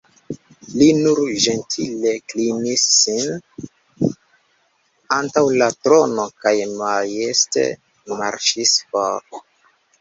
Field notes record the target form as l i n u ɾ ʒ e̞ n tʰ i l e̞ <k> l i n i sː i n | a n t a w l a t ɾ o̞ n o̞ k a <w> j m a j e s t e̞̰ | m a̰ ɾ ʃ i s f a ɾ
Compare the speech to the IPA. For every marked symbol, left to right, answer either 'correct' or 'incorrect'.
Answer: correct, incorrect

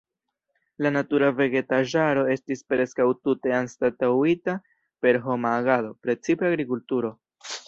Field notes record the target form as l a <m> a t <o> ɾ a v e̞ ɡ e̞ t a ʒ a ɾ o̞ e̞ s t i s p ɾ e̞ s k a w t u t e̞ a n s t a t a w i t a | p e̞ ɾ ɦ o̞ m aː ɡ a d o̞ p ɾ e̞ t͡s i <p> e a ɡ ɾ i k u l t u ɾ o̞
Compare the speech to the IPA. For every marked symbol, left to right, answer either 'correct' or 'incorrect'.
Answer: incorrect, incorrect, correct

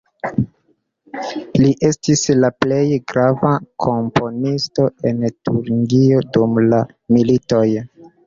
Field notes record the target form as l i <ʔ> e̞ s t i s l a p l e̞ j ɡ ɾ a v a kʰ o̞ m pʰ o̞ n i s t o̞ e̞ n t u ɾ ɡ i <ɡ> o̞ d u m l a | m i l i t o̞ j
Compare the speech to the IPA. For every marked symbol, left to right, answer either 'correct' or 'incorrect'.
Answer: correct, incorrect

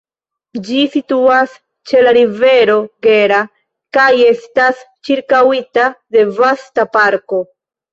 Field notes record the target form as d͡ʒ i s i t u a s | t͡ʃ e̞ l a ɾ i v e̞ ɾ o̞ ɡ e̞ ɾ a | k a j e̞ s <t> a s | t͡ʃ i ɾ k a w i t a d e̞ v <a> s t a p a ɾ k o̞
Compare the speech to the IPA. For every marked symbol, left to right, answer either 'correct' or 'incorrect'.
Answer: correct, correct

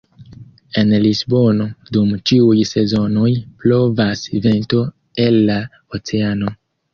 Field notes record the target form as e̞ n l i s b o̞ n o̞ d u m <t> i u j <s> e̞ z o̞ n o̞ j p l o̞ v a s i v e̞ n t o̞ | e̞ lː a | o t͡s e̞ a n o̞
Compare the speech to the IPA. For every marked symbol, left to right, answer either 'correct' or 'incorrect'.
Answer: incorrect, correct

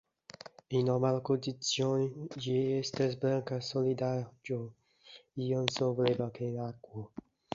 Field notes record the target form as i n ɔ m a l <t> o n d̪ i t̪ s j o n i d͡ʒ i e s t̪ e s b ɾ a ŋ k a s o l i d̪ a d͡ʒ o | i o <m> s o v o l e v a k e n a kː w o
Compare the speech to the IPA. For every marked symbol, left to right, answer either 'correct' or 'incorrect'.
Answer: incorrect, incorrect

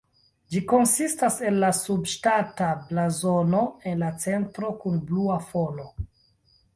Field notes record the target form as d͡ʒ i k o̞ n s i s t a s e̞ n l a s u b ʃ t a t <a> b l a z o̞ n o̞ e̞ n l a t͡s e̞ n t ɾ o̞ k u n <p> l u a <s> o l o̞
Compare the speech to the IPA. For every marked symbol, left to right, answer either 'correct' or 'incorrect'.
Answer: correct, incorrect, incorrect

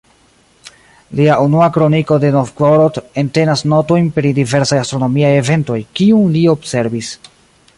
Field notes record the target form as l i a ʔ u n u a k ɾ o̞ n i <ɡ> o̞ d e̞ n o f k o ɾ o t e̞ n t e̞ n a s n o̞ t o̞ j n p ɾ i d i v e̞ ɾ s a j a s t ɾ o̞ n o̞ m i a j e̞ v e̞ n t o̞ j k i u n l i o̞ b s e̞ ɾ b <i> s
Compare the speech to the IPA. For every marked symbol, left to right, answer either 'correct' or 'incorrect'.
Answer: incorrect, correct

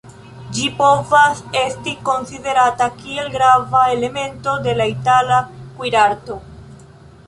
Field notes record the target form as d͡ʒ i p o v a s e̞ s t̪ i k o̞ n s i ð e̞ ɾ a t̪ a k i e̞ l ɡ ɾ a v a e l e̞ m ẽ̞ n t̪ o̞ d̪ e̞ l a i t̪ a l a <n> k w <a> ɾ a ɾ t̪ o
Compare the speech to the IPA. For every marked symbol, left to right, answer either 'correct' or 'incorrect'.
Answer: incorrect, incorrect

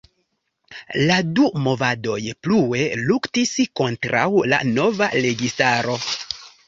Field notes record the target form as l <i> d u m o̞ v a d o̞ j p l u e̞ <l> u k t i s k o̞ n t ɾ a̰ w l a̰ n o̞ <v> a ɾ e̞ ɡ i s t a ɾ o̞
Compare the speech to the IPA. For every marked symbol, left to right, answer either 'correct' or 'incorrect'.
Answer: incorrect, correct, correct

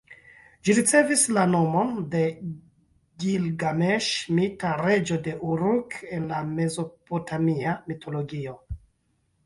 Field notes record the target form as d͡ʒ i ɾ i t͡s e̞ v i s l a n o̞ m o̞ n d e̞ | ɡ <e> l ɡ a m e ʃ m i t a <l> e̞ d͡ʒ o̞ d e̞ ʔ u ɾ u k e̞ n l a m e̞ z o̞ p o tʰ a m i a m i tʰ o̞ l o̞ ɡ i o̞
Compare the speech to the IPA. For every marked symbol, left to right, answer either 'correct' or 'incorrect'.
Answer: incorrect, incorrect

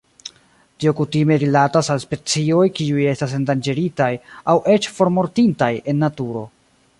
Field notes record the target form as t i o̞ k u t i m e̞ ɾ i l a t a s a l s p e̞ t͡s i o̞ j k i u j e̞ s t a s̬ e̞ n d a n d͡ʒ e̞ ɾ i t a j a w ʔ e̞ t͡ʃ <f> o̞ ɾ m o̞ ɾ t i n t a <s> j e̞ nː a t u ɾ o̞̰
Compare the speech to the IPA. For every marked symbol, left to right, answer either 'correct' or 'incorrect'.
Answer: correct, incorrect

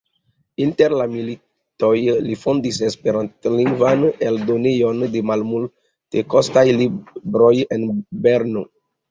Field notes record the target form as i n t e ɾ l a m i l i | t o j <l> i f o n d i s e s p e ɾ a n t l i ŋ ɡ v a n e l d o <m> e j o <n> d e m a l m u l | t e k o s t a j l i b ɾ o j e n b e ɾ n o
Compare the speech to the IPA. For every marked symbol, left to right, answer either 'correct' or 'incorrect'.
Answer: correct, incorrect, correct

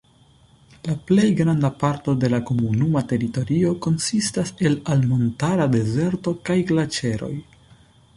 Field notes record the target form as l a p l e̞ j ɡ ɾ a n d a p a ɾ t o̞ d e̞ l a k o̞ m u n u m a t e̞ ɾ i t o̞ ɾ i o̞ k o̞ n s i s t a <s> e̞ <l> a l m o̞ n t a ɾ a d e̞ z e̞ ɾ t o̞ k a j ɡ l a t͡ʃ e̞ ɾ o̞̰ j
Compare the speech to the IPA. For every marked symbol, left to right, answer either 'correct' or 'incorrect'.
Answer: correct, correct

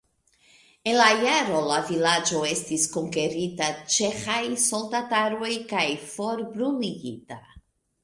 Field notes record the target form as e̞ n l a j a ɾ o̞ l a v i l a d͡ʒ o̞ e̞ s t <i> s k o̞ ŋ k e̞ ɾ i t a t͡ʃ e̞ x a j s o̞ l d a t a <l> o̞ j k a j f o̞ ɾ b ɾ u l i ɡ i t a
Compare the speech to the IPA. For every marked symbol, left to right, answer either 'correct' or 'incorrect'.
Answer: correct, incorrect

